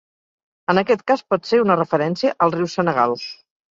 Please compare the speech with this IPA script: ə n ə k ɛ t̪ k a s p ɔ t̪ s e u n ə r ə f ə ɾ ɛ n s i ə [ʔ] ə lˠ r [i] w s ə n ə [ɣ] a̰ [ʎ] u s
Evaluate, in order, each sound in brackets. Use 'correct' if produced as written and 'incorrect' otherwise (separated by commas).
correct, correct, correct, incorrect